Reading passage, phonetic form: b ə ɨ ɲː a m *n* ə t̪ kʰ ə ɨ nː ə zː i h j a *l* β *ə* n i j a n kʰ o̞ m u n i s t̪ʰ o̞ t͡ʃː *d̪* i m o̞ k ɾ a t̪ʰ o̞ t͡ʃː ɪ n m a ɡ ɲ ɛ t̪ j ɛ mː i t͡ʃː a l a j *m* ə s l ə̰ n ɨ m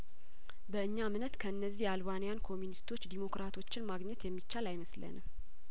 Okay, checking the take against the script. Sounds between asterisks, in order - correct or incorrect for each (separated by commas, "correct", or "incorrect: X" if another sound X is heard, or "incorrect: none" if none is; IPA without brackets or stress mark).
correct, correct, incorrect: a, correct, correct